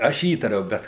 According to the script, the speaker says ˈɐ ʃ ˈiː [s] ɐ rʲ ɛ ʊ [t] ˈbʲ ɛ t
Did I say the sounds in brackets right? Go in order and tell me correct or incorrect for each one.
incorrect: t, incorrect: none

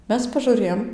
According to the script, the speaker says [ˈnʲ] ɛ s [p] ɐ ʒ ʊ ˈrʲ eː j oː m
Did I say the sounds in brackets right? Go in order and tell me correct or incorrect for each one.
incorrect: mʲ, correct

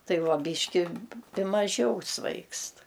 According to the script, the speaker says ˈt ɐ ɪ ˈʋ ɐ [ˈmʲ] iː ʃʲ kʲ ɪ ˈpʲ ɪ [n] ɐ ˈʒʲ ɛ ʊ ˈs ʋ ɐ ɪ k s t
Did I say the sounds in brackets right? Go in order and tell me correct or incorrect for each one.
incorrect: bʲ, incorrect: m

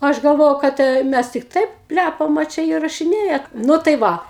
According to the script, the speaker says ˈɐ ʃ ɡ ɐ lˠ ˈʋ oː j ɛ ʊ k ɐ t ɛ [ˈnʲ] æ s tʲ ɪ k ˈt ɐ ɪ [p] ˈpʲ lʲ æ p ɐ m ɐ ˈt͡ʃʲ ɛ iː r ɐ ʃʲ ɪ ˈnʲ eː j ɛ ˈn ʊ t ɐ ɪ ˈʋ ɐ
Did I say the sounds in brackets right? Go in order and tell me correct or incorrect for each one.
incorrect: mʲ, correct

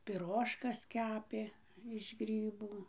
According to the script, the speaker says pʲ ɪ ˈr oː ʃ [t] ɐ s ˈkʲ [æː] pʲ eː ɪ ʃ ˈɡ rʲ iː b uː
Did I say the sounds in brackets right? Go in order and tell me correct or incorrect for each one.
incorrect: k, correct

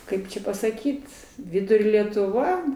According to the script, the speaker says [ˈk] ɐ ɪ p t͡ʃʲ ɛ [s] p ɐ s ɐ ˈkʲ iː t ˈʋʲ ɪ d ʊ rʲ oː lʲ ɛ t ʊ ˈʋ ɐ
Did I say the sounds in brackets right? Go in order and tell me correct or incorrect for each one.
correct, incorrect: none

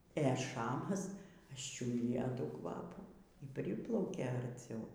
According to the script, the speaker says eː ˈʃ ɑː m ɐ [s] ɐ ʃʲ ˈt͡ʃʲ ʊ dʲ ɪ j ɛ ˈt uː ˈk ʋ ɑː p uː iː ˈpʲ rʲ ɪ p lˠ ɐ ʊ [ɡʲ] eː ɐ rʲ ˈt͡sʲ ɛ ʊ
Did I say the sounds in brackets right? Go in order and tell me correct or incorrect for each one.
correct, incorrect: kʲ

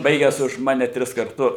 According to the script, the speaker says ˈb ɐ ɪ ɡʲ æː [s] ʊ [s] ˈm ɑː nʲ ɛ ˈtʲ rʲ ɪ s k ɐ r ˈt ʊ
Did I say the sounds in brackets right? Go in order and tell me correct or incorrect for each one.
correct, incorrect: ʃ

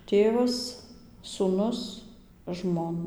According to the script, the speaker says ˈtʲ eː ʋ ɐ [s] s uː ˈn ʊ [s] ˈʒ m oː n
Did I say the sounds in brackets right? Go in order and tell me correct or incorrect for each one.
correct, correct

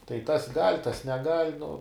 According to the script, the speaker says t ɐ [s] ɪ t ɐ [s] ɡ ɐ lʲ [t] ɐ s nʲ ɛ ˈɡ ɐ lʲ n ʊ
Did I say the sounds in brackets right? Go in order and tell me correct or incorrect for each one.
incorrect: none, correct, correct

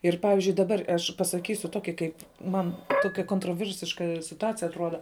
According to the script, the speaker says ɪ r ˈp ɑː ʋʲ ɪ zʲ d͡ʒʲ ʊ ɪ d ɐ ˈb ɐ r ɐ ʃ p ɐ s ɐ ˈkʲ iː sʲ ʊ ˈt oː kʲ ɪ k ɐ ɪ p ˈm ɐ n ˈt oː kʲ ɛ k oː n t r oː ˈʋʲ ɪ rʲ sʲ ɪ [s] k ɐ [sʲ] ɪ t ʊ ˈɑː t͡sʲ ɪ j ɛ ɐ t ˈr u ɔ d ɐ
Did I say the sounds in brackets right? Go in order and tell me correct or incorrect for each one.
incorrect: ʃ, correct

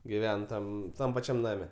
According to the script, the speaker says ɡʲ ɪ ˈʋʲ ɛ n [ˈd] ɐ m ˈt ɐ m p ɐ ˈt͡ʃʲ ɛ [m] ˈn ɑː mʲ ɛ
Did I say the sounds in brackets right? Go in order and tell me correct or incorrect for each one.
incorrect: t, correct

